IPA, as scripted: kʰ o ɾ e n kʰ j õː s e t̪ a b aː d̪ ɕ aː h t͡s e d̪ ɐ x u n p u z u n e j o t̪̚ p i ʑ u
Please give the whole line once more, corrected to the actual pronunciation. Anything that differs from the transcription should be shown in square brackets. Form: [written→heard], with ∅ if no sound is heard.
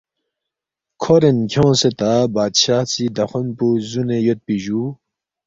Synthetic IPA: kʰ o ɾ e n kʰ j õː s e t̪ a b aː d̪ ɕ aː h t͡s [e→i] d̪ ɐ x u n p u z u n e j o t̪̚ p i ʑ u